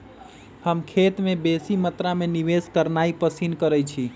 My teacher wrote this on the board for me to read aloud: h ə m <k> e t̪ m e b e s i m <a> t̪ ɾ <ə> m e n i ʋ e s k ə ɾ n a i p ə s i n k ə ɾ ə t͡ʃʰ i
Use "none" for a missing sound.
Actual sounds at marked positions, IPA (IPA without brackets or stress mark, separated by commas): kʰ, ə, a